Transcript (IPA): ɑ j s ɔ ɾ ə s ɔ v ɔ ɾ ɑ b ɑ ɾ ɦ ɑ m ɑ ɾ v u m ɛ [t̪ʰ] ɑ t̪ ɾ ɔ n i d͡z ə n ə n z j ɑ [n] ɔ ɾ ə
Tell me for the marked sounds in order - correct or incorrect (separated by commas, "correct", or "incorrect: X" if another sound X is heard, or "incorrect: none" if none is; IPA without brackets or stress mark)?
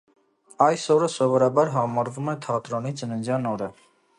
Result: correct, correct